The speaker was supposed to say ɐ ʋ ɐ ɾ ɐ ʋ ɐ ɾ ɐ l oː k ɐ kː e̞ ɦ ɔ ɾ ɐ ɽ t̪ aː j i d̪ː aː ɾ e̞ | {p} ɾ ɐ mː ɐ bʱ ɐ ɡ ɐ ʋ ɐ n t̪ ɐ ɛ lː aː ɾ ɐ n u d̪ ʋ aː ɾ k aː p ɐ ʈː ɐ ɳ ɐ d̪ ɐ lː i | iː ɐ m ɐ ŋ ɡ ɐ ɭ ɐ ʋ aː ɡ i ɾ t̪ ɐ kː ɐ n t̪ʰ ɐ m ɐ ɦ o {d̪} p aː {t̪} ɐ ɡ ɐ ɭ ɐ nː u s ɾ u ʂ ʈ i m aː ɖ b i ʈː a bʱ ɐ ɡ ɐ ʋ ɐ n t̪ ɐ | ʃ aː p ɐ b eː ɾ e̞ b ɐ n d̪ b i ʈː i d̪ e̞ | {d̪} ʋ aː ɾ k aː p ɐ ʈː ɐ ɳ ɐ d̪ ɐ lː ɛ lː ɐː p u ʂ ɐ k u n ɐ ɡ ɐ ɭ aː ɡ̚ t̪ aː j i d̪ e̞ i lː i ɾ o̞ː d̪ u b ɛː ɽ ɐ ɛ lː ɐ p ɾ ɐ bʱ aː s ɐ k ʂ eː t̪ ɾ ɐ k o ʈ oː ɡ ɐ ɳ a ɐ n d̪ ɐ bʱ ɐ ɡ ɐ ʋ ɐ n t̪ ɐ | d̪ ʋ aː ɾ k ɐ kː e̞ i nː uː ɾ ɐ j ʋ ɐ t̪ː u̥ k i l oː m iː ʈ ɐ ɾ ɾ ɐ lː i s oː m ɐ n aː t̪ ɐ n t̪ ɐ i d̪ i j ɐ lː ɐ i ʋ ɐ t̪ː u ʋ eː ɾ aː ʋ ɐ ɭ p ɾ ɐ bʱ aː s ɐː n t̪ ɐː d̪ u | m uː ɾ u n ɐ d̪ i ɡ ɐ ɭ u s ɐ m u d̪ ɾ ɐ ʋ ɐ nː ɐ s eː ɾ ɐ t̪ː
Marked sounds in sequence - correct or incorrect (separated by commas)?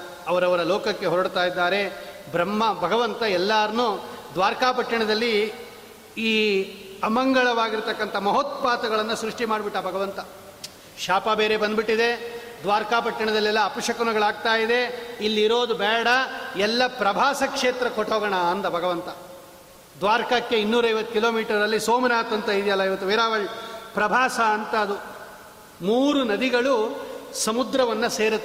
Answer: incorrect, incorrect, correct, correct